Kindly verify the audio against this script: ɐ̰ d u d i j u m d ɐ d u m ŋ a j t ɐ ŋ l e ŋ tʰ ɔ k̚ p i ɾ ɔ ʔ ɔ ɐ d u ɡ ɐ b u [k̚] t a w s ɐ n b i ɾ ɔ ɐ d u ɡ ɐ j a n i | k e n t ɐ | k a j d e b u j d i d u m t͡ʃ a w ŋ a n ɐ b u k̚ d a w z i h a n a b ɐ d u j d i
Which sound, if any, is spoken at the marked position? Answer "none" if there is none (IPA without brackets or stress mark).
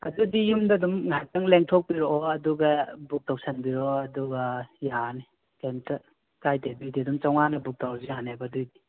k̚